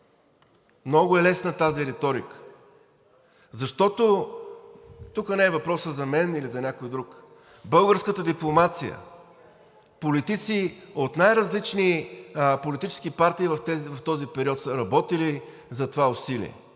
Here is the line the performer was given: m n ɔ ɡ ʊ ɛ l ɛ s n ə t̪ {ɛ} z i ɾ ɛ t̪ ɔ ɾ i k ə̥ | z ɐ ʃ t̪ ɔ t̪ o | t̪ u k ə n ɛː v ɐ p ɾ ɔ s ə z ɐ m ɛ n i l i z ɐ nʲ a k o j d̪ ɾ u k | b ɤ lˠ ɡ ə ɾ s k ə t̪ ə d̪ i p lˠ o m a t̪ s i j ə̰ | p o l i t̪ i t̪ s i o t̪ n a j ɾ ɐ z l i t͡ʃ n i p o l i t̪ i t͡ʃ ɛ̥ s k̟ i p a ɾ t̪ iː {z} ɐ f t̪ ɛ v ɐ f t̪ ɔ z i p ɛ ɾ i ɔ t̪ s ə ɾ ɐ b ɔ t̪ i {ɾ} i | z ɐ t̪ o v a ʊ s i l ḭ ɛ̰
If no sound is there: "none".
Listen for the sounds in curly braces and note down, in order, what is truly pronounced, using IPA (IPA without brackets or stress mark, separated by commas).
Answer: a, v, l